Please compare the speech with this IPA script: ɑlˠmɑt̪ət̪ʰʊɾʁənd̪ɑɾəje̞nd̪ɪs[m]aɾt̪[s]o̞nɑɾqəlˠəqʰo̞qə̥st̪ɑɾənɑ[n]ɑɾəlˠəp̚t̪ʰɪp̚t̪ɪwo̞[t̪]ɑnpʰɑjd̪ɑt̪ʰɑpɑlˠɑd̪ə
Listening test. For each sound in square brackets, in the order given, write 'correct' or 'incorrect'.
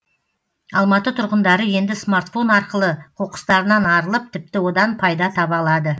correct, incorrect: f, correct, incorrect: d̪

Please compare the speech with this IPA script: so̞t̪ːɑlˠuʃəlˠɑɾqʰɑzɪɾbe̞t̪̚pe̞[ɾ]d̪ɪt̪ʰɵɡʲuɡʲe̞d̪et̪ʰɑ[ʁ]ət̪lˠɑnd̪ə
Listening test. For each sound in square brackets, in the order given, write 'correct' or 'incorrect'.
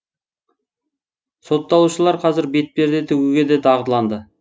correct, correct

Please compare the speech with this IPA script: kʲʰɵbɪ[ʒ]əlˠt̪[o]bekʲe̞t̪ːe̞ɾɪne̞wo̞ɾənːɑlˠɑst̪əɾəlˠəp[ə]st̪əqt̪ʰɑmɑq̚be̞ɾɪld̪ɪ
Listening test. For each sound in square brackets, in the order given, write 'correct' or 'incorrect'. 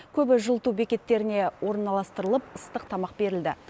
correct, incorrect: u, correct

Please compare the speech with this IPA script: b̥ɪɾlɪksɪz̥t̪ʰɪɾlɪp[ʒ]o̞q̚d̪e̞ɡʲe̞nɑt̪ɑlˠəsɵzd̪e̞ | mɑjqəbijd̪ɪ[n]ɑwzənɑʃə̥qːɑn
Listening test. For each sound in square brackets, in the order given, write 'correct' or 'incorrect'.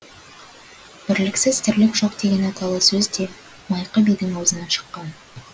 correct, incorrect: ŋ

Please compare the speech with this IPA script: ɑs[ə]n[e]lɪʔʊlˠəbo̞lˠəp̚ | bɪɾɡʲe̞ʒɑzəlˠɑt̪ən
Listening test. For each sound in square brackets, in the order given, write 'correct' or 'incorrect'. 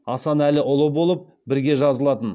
incorrect: ɑ, incorrect: æ

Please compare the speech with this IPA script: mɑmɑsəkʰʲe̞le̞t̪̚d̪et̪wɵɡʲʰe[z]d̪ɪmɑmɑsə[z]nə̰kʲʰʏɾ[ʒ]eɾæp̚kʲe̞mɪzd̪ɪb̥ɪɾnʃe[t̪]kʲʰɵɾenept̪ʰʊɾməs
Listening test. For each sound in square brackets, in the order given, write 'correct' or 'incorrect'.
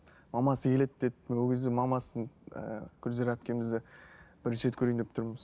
correct, incorrect: none, incorrect: z, correct

